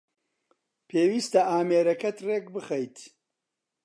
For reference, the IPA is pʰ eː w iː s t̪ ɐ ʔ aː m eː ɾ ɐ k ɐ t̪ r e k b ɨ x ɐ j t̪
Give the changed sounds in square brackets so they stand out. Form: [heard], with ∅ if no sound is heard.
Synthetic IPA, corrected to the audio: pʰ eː w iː s t̪ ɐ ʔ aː m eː ɾ ɐ k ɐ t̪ r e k b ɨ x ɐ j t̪